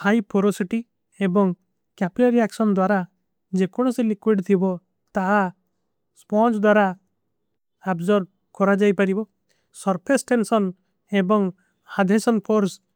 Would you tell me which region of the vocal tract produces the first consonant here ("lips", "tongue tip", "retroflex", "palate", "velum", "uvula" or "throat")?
throat